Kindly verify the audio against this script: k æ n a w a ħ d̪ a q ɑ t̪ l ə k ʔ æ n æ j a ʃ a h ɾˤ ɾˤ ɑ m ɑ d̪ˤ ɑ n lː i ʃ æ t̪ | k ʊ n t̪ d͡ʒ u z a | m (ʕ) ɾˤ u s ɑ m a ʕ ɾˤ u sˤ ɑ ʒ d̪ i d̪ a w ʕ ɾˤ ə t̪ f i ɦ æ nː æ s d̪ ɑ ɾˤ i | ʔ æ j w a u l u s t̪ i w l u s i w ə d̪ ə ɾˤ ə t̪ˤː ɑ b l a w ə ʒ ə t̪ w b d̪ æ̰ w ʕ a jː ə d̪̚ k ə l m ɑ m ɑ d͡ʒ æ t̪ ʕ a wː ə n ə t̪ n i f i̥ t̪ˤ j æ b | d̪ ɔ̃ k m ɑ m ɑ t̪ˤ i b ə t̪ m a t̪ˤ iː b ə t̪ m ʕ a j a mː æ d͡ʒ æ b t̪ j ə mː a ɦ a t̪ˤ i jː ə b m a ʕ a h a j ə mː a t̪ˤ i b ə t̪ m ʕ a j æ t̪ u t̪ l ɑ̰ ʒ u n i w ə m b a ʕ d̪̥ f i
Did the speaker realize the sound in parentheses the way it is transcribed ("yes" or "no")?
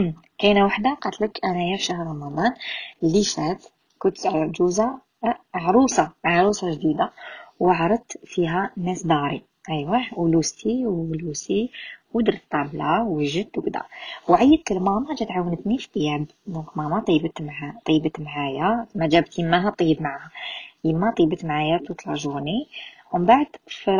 yes